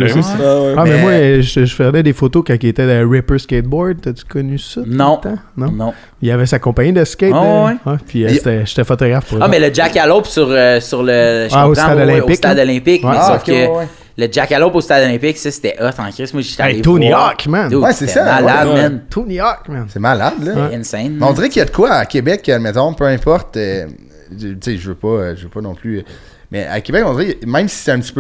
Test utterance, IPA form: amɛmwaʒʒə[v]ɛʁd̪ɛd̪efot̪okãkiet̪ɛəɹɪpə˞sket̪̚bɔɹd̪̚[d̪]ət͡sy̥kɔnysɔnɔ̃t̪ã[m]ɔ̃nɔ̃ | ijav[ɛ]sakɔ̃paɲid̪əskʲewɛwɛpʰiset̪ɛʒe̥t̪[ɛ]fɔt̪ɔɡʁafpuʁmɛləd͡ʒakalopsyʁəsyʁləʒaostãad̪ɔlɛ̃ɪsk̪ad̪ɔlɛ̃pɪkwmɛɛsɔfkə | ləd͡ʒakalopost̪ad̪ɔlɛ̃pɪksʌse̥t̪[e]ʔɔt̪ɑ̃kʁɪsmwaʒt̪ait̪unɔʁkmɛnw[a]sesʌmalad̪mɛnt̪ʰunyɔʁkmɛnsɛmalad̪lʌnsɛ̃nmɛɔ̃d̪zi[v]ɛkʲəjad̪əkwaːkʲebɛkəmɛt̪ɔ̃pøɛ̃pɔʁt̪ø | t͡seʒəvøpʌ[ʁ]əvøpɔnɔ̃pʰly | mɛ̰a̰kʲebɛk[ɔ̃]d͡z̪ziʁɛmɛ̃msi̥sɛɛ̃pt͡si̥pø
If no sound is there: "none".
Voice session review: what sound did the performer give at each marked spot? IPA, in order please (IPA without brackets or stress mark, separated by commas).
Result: f, t̪, n, ɛ, ɛ, ɛ, ɛ, ʁ, ʒ, ɔ̃